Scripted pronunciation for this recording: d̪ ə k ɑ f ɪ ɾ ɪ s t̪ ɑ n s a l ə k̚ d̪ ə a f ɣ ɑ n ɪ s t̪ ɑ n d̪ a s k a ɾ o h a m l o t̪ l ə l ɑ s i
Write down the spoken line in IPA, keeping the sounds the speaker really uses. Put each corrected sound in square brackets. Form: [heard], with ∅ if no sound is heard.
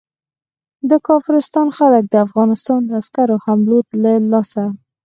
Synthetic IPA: d̪ ə k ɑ f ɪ ɾ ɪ s t̪ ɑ n [x] a l ə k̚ d̪ ə a f ɣ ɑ n ɪ s t̪ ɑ n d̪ a s k a ɾ o h a m l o t̪ l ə l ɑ s [a]